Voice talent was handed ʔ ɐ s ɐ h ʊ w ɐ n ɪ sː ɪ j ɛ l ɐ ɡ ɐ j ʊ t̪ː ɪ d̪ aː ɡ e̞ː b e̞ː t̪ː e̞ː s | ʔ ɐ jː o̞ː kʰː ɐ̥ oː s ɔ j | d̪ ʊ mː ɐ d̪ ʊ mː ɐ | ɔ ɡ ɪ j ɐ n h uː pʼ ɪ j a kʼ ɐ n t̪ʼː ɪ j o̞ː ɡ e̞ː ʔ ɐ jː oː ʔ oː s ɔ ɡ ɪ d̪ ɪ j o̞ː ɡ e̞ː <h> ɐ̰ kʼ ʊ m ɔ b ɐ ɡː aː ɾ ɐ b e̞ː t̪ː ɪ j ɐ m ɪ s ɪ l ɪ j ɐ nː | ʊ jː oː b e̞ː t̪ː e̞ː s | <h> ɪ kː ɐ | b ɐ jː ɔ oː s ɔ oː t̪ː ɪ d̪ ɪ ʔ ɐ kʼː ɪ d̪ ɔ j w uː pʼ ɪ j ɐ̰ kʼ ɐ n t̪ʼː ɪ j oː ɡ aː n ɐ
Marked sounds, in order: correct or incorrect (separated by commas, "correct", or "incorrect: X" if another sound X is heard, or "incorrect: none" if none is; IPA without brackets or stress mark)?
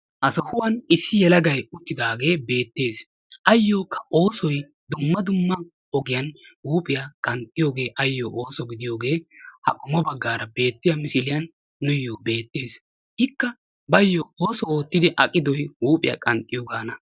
correct, correct